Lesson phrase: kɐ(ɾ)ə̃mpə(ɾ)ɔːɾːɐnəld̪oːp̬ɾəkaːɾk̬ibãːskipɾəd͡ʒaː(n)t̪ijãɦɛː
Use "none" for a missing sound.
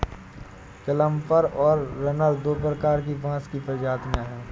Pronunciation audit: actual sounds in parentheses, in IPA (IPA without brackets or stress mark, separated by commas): l, ɾ, none